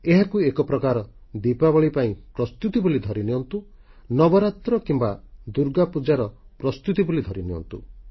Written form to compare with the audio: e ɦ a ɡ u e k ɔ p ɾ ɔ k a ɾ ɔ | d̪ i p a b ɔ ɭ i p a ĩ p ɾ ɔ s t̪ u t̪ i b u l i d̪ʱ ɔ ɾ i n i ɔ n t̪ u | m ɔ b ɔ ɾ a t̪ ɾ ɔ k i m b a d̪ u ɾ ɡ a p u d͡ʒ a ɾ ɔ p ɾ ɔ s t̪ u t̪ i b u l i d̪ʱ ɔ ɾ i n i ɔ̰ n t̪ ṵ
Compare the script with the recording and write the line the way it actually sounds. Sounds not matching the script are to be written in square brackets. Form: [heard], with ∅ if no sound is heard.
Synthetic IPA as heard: e ɦ a [k] u e k ɔ p ɾ ɔ k a ɾ ɔ | d̪ i p a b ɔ ɭ i p a ĩ p ɾ ɔ s t̪ u t̪ i b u l i d̪ʱ ɔ ɾ i n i ɔ n t̪ u | [n] ɔ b ɔ ɾ a t̪ ɾ ɔ k i m b a d̪ u ɾ ɡ a p u d͡ʒ a ɾ ɔ p ɾ ɔ s t̪ u t̪ i b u l i d̪ʱ ɔ ɾ i n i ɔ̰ n t̪ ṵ